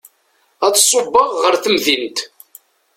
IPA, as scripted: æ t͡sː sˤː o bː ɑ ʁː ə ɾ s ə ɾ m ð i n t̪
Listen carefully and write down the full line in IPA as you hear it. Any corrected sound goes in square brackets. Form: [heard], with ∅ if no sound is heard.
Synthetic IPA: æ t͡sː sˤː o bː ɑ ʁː ə ɾ [θ] ə [∅] m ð i n t̪